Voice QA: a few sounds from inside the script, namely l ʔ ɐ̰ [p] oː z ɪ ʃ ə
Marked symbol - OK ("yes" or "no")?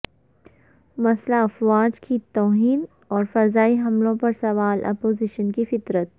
yes